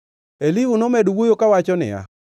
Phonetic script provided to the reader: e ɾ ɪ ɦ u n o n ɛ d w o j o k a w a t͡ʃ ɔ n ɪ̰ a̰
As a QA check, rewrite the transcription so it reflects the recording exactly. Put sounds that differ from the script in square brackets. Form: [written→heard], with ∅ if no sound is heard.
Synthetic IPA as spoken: e [ɾ→l] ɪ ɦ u n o [n→m] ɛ d w o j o k a w a t͡ʃ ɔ n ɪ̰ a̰